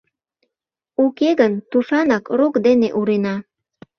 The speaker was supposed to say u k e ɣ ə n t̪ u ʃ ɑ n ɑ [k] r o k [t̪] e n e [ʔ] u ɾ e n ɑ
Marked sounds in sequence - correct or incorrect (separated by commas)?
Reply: correct, incorrect, correct